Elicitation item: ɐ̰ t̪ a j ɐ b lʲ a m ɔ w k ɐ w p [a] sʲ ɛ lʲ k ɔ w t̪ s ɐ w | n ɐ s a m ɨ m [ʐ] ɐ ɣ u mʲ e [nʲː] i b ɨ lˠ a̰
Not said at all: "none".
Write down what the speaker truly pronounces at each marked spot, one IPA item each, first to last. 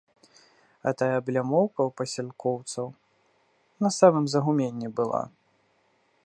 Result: ɐ, z, nʲː

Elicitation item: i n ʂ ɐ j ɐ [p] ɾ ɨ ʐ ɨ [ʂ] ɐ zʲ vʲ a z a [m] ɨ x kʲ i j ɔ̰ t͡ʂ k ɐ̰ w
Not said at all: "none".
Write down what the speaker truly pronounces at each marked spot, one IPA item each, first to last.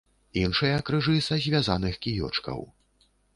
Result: k, s, n

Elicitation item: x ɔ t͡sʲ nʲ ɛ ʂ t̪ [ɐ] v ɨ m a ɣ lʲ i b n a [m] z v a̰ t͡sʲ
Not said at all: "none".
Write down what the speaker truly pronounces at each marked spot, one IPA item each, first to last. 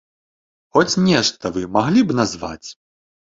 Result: ɐ, none

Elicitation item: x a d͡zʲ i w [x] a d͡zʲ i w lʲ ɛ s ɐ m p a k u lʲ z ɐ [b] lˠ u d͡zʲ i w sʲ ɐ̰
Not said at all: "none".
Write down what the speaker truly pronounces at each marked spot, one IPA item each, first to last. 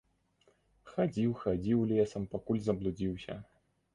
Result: x, b

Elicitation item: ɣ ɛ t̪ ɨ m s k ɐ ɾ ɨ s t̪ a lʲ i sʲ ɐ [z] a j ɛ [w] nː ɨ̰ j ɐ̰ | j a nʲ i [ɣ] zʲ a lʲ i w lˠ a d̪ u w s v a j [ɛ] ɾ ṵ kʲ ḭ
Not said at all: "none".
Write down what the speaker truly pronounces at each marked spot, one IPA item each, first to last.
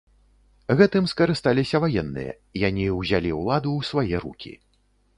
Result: v, none, w, ɛ

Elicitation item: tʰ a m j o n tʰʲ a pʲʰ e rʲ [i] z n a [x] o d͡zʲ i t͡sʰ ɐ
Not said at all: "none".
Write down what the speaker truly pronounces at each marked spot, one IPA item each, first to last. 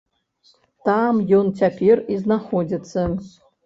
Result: i, χ

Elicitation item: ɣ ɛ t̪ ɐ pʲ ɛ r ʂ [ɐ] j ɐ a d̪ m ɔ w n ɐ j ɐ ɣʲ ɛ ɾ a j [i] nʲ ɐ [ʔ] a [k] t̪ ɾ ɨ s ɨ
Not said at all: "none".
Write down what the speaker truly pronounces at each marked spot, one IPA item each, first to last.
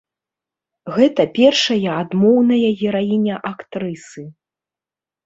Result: ɐ, i, ʔ, k

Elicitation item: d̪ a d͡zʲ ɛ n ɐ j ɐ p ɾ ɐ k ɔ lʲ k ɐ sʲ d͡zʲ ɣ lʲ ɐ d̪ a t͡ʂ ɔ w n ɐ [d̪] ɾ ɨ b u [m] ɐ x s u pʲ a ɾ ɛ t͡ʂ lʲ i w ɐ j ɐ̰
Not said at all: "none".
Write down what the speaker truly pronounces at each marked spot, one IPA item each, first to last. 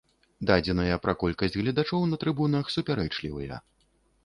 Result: t̪, n

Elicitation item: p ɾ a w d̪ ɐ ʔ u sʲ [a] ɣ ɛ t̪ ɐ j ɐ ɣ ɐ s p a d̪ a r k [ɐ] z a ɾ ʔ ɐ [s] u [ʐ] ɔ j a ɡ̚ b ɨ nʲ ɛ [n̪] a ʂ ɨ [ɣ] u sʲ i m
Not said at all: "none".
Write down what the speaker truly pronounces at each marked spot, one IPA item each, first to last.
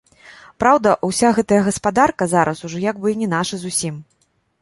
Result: a, ɐ, s, ʐ, n̪, z

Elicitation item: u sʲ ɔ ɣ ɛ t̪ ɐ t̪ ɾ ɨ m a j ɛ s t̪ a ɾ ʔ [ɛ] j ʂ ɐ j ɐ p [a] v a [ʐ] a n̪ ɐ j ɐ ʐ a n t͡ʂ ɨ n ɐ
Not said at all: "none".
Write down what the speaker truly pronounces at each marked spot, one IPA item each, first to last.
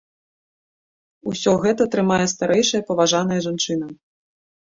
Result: ɛ, ɐ, ʐ

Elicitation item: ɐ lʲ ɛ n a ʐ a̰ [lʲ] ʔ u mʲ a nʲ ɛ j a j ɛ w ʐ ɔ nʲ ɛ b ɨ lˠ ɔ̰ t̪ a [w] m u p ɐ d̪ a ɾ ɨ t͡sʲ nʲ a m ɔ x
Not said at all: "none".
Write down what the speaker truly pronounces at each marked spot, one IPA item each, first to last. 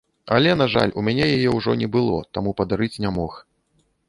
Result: lʲ, none

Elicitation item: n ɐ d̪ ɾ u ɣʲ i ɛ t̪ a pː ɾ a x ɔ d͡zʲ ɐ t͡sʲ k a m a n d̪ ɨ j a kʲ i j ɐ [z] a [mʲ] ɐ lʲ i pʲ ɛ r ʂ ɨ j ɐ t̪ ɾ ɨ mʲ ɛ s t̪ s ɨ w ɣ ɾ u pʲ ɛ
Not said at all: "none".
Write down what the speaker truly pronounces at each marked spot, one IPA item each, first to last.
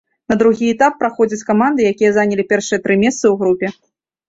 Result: z, nʲ

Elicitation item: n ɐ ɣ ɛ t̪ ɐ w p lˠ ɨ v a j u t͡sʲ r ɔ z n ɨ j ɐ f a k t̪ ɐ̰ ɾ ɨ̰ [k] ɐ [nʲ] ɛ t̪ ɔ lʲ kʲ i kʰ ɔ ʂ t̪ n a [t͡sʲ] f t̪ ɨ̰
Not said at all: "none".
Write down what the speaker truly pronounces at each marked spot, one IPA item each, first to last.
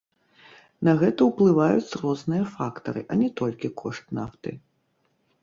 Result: ʔ, nʲ, none

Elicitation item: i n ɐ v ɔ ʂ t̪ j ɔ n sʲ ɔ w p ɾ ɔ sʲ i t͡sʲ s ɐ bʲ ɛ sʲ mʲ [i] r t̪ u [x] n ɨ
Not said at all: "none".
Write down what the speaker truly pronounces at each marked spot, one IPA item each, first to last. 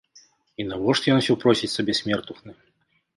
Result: ɛ, x

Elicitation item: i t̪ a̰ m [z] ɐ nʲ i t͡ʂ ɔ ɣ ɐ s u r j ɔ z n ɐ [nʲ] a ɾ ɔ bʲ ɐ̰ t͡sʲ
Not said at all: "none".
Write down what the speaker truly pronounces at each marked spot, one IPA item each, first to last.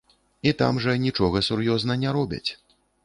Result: ʐ, nʲ

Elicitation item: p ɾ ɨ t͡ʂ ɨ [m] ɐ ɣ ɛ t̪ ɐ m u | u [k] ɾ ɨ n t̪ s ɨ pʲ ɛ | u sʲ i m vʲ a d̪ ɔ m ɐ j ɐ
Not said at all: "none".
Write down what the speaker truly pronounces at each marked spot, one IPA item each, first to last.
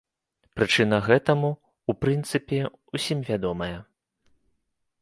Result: n, p

